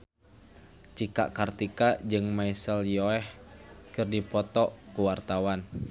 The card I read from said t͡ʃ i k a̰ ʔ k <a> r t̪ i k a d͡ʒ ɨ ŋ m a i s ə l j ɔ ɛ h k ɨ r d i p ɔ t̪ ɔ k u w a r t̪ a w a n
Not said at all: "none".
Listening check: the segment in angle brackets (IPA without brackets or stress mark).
a